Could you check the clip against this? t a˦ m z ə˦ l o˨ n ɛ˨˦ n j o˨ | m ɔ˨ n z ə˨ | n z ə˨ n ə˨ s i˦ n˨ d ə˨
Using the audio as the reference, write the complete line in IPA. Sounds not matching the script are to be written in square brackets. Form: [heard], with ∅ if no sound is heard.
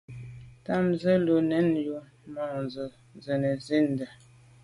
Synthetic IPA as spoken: t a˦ m z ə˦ l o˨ n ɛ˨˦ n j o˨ | m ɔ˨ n z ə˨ | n z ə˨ n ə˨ [z] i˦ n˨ d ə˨